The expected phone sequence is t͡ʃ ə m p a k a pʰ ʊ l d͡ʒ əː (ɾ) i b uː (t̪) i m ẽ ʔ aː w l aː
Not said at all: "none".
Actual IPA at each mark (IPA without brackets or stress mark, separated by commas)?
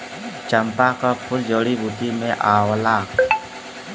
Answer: ɽ, t̪